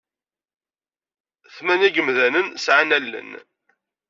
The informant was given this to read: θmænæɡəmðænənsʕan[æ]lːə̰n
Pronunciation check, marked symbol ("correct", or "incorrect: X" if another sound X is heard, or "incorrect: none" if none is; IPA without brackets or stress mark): correct